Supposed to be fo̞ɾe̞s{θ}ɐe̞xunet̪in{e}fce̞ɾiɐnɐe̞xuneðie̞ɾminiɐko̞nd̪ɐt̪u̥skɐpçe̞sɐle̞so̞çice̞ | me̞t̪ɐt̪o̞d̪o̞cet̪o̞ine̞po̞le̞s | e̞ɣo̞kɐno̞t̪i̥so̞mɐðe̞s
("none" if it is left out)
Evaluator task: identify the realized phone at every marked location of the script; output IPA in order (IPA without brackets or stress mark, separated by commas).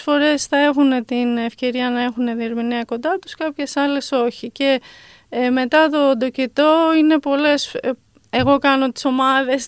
θ, e